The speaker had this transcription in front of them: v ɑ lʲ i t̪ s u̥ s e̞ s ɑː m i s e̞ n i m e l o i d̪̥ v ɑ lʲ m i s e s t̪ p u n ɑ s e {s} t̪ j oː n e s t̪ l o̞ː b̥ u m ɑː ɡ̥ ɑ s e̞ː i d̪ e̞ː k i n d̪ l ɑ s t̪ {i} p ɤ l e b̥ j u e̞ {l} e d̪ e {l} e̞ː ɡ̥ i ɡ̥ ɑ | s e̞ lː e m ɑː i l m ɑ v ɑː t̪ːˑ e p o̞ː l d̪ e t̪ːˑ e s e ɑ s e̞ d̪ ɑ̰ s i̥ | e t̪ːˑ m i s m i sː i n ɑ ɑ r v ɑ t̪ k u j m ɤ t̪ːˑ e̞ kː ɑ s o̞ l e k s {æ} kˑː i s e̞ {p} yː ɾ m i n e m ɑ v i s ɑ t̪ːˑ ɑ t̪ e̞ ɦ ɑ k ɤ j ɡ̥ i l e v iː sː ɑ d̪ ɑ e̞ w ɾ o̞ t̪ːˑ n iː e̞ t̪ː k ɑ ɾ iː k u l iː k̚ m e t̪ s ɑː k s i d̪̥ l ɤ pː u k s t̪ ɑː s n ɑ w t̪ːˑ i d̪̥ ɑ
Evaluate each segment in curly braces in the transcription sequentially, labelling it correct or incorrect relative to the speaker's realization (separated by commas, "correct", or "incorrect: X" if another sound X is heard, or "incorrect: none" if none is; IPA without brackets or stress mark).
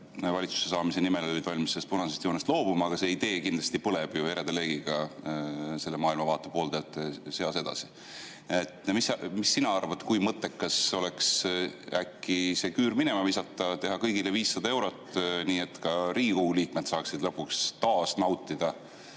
correct, correct, incorrect: ɾ, correct, correct, incorrect: k